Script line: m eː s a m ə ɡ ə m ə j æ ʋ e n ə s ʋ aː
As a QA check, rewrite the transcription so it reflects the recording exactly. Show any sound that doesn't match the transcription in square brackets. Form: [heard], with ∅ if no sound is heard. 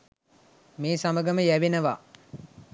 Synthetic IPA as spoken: m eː s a m ə ɡ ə m ə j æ ʋ e n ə [∅] ʋ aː